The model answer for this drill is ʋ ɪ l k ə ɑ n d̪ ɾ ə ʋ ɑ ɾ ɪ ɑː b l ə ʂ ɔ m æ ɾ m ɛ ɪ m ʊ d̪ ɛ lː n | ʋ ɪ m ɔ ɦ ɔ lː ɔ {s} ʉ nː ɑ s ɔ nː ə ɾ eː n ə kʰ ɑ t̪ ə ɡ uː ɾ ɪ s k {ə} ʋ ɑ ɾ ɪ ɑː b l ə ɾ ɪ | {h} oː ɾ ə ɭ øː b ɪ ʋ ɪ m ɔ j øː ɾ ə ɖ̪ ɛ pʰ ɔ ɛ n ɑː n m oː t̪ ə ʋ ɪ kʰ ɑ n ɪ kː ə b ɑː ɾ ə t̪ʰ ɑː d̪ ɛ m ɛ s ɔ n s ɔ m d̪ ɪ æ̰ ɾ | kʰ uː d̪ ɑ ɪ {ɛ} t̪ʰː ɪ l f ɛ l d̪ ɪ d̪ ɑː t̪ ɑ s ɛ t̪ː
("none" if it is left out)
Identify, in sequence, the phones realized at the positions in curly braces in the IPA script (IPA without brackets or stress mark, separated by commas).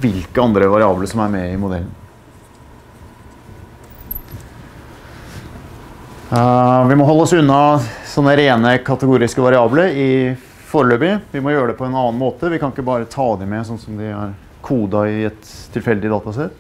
s, ə, f, ɛ